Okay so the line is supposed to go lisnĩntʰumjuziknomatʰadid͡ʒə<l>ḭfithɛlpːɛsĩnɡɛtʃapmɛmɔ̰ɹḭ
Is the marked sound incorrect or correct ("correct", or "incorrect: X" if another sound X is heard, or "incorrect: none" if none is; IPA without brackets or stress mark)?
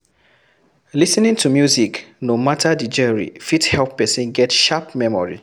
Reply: incorrect: ɹ